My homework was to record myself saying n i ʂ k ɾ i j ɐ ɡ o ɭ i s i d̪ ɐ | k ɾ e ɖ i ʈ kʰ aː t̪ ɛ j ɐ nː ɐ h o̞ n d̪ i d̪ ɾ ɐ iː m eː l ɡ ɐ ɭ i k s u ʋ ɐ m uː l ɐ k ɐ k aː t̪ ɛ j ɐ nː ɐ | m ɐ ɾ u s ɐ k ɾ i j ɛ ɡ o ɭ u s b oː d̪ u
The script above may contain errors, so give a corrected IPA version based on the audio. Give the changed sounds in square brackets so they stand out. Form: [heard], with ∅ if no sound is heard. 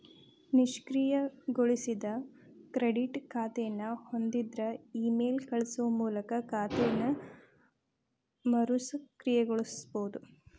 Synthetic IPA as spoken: n i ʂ k ɾ i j ɐ ɡ o ɭ i s i d̪ ɐ | k ɾ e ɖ i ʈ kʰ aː t̪ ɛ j ɐ nː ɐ h o̞ n d̪ i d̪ ɾ ɐ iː m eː l [k] ɐ ɭ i [∅] s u ʋ ɐ m uː l ɐ k ɐ k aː t̪ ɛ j ɐ nː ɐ | m ɐ ɾ u s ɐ k ɾ i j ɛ ɡ o ɭ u s b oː d̪ u